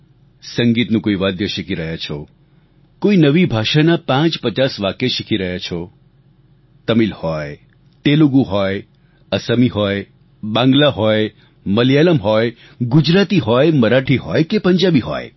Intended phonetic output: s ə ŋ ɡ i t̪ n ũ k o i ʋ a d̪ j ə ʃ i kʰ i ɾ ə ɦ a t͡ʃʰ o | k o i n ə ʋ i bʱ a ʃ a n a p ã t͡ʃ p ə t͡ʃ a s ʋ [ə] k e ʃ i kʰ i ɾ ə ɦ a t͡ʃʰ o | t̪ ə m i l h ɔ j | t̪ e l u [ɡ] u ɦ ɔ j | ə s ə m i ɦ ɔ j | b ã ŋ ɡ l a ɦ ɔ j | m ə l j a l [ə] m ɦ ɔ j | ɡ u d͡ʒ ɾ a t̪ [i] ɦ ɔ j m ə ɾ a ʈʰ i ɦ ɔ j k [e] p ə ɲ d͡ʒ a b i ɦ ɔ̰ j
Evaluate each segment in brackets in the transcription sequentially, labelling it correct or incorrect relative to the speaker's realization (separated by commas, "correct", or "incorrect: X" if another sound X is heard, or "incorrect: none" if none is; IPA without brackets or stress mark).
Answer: incorrect: a, correct, correct, correct, correct